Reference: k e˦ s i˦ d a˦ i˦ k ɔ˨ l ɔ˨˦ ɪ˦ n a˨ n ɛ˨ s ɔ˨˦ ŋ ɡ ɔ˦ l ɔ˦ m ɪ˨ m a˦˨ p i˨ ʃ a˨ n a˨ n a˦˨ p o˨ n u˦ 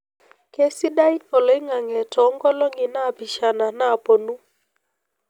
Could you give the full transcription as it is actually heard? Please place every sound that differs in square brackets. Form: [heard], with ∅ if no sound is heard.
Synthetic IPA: k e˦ s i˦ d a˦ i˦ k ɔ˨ l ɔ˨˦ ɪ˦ [ŋ] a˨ [ŋ] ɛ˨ [t] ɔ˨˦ ŋ ɡ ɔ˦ l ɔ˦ [ŋ] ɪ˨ [n] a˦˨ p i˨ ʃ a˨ n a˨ n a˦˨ p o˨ n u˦